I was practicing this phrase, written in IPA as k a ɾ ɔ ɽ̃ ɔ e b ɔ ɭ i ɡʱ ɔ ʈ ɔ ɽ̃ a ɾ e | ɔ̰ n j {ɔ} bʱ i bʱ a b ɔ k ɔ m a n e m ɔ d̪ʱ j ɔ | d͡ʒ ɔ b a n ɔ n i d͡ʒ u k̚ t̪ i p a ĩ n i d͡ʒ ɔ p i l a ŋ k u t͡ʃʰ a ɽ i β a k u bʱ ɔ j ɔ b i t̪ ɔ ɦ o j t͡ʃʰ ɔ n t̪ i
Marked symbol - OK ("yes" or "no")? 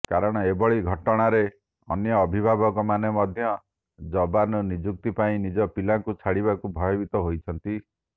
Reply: no